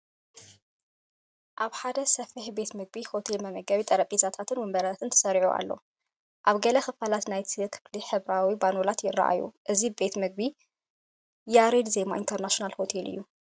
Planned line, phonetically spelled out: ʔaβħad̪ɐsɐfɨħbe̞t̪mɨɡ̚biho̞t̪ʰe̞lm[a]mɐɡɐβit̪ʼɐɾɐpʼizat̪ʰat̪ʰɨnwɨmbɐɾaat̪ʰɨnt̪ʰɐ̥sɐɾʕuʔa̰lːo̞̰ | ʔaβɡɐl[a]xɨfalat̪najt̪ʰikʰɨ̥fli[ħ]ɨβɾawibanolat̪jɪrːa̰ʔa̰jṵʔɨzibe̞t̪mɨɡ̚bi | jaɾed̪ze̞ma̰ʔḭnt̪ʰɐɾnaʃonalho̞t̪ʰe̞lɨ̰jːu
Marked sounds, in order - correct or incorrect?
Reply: incorrect, incorrect, correct

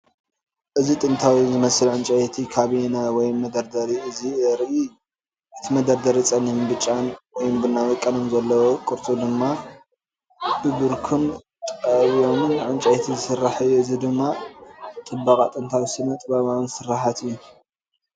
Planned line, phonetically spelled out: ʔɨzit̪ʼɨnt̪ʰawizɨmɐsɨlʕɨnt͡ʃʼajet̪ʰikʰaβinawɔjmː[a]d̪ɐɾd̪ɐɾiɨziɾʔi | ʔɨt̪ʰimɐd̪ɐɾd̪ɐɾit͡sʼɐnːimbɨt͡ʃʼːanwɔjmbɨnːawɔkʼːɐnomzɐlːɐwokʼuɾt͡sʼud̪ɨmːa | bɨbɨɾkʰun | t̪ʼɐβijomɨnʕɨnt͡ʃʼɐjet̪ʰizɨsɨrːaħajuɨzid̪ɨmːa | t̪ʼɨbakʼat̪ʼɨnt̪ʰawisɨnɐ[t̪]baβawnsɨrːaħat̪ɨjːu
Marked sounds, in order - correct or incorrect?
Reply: incorrect, incorrect

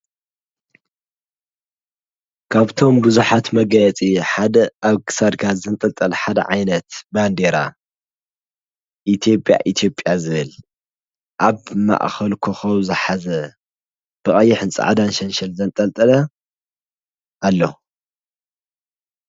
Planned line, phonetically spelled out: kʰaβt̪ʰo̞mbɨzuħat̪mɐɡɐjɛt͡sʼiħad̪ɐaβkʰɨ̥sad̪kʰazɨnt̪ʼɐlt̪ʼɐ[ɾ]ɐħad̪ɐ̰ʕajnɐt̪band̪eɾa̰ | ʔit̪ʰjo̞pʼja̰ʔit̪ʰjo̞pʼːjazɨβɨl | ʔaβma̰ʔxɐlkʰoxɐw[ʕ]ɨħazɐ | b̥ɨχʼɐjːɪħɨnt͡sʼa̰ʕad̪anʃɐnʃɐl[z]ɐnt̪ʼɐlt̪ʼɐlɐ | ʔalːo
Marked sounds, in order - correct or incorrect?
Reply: incorrect, incorrect, correct

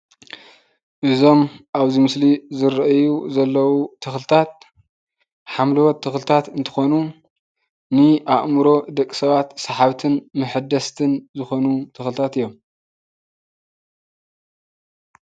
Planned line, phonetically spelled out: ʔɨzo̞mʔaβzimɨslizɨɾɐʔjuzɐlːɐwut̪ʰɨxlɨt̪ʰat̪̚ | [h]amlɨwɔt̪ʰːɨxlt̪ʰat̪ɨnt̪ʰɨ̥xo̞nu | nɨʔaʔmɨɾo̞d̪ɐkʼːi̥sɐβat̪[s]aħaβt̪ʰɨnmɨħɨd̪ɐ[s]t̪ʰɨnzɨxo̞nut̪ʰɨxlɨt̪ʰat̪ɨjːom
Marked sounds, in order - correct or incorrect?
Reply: incorrect, correct, correct

